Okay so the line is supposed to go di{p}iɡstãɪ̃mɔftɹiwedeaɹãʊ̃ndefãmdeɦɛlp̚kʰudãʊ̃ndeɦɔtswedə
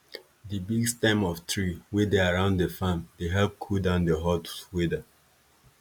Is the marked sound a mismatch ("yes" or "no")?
yes